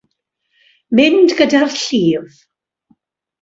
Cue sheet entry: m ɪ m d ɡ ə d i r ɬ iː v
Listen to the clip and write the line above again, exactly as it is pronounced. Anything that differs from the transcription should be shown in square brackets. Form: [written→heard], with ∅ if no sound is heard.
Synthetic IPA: m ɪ [m→n] d ɡ ə d [i→a] r ɬ iː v